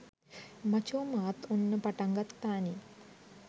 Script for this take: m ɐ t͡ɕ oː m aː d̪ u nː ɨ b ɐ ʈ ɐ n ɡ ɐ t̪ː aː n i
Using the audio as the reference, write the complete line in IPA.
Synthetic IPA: m ɐ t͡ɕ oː m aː t̪ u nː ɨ p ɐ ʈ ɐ ŋ ɡ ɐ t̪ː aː n i